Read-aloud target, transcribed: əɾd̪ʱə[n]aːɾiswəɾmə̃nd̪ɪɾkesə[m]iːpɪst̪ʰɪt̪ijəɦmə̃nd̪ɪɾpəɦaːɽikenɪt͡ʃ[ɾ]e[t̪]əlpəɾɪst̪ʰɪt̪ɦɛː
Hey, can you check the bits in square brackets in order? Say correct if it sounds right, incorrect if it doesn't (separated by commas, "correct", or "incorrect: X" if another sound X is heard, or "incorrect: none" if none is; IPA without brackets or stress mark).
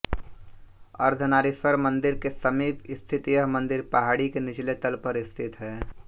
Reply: correct, correct, incorrect: l, correct